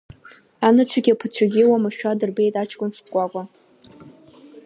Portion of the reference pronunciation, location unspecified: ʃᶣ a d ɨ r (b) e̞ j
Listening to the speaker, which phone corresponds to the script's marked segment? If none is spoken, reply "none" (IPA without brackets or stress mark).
b